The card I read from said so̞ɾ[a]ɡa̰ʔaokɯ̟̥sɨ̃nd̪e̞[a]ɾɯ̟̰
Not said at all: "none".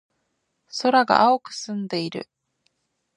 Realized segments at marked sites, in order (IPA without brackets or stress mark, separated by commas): a, i